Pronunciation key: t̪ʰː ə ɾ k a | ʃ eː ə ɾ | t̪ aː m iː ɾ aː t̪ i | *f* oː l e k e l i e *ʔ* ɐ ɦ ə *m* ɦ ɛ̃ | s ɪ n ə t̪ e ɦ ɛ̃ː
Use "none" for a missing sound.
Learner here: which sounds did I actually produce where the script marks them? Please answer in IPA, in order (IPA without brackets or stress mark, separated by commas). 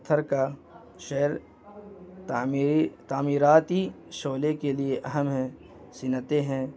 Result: ʃ, ʔ, m